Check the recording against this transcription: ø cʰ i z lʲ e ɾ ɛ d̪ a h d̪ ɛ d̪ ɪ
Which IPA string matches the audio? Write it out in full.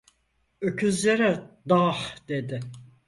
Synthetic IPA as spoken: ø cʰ y z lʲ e ɾ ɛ d̪ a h d̪ e d̪ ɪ